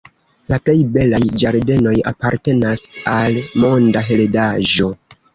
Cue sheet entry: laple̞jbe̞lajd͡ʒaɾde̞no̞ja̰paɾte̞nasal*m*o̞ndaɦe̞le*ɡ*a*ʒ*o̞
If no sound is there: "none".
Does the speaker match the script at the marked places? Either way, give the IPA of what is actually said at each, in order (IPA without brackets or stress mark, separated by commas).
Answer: m, d, ʒ